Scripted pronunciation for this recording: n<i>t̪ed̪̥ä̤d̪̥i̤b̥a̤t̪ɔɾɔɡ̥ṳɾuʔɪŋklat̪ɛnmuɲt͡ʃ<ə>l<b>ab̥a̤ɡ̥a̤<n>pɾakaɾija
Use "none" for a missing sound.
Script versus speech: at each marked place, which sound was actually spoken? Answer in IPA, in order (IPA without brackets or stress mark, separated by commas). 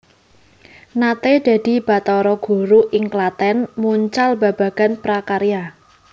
a, a, b, n